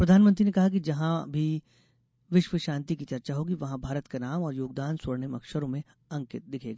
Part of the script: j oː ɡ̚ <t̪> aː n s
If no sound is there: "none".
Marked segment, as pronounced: d̪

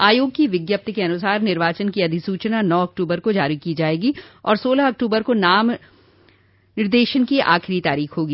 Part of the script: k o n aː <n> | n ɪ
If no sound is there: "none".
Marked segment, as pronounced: m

